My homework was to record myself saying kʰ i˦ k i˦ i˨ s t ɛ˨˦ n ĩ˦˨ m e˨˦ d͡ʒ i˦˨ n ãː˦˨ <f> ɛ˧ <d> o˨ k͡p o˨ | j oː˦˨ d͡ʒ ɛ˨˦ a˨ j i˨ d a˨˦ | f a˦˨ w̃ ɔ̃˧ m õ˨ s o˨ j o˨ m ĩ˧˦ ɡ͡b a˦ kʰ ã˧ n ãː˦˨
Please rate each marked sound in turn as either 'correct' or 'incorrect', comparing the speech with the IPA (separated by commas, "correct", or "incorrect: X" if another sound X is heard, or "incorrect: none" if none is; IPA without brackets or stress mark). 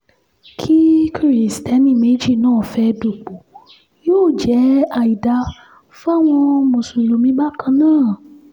correct, correct